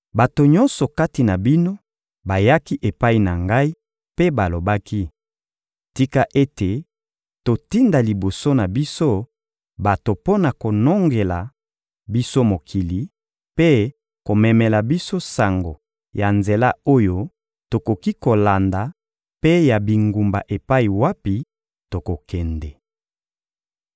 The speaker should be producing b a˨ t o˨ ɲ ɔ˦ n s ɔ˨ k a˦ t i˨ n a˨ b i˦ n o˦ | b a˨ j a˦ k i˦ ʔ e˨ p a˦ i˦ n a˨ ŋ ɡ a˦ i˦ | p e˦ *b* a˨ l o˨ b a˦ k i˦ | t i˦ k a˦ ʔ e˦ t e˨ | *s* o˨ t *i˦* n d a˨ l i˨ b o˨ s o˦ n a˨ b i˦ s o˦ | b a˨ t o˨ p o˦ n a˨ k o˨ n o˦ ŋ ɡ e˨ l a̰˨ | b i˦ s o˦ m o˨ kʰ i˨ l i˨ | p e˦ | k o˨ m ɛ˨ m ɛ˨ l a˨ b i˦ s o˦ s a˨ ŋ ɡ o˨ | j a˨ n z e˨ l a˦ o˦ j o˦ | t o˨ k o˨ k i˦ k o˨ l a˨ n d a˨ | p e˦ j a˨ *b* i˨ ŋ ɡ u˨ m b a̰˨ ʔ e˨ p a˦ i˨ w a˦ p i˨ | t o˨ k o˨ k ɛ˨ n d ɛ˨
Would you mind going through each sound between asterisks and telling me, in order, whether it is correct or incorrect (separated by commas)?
correct, incorrect, correct, correct